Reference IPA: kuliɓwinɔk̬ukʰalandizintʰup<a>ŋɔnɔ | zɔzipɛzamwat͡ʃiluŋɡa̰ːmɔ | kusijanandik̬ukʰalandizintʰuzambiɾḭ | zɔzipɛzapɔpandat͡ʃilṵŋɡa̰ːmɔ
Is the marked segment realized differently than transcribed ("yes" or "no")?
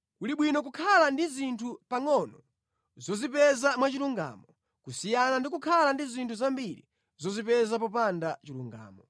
no